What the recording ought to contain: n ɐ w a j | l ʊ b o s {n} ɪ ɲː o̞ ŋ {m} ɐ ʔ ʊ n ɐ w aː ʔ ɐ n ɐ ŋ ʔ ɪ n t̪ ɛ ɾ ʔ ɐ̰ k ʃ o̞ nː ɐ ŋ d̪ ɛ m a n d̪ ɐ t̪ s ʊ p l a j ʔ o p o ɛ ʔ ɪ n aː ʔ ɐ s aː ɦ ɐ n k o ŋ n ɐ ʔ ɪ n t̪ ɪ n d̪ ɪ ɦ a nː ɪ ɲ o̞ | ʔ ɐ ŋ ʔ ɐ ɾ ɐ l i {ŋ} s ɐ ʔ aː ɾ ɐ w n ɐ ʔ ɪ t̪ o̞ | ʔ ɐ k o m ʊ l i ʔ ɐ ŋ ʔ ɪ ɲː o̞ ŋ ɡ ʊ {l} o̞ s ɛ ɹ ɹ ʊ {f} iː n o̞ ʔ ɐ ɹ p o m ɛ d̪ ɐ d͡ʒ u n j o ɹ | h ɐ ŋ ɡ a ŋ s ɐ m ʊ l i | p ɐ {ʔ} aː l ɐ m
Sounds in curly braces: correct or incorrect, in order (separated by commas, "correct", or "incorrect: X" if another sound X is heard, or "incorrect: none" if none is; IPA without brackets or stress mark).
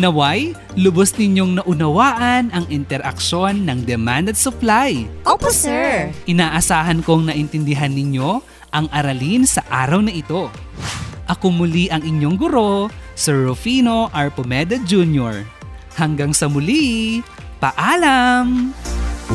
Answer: correct, incorrect: n, incorrect: n, incorrect: ɾ, correct, correct